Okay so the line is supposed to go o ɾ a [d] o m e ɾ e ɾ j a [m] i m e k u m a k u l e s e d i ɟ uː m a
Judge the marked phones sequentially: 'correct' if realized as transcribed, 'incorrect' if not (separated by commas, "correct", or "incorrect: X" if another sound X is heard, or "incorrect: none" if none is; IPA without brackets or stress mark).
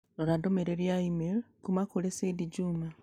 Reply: correct, incorrect: none